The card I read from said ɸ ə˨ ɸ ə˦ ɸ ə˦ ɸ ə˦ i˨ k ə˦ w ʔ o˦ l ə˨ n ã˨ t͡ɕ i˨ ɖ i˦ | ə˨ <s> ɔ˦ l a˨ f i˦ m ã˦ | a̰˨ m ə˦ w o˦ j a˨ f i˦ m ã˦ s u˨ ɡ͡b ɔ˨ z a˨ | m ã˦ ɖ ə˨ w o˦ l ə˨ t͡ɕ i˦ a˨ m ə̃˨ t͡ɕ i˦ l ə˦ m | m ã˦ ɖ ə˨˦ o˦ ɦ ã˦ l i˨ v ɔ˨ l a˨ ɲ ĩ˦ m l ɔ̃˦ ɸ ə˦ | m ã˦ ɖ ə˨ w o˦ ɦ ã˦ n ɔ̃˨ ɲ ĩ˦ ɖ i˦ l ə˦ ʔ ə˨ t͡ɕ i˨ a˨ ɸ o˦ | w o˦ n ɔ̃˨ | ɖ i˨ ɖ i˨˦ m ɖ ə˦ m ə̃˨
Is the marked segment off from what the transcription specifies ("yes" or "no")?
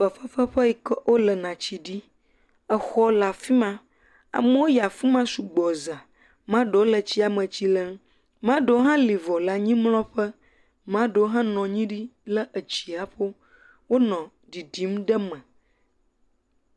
yes